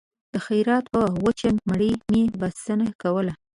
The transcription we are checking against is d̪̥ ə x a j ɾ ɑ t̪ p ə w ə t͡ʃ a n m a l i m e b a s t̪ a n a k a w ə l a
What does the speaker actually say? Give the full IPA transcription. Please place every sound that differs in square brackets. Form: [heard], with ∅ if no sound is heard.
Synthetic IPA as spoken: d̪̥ ə x a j ɾ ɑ t̪ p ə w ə t͡ʃ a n m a [ɽ] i m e b a s t̪ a n a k a w ə l a